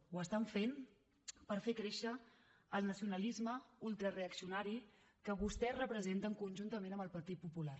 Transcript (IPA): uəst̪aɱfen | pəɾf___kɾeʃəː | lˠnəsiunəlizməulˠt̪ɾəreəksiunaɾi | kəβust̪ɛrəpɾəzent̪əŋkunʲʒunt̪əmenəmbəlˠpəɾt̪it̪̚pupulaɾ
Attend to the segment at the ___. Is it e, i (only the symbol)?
e